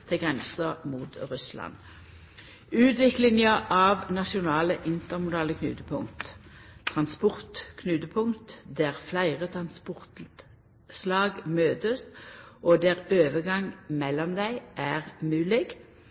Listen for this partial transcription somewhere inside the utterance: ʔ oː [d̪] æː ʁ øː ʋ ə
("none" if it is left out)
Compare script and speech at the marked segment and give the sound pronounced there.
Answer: d̪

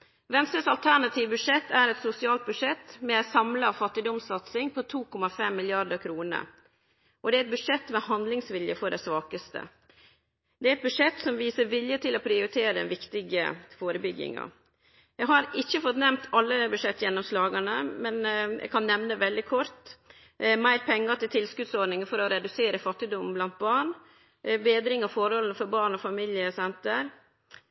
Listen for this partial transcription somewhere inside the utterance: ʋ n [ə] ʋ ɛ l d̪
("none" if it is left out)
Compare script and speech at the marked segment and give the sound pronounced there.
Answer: ə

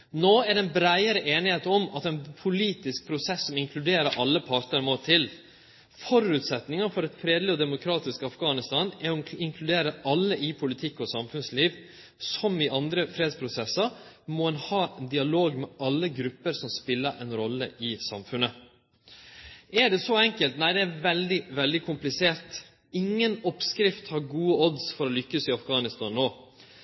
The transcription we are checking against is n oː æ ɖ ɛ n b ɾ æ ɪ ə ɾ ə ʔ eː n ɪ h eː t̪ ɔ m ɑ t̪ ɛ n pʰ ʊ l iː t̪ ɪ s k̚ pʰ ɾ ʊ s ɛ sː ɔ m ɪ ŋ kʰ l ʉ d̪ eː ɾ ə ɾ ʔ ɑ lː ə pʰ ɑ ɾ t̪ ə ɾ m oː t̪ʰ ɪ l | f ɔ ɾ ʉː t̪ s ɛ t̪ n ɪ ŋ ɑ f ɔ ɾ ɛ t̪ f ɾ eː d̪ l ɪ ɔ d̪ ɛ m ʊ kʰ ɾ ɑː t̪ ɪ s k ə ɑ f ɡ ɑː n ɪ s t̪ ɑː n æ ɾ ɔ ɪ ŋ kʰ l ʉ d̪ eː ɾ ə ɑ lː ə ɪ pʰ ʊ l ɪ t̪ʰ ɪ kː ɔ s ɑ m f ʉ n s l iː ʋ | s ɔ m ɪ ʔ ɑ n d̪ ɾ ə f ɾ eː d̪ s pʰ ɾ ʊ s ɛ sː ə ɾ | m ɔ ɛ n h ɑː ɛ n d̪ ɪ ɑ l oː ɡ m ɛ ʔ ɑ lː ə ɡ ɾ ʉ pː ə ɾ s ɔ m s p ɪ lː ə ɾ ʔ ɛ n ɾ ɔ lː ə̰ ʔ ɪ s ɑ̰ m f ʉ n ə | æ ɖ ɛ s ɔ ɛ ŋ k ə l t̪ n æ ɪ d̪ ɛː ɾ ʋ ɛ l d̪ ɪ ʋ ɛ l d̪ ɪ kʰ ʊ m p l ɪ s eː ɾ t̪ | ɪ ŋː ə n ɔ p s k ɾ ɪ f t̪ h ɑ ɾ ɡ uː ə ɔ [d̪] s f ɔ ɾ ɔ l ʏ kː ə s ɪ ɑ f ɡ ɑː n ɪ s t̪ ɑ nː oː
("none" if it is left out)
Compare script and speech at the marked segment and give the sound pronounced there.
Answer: d̪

